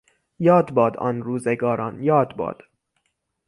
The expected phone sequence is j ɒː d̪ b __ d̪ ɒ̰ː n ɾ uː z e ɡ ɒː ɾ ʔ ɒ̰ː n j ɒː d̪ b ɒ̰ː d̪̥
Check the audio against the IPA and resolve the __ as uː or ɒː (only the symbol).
ɒː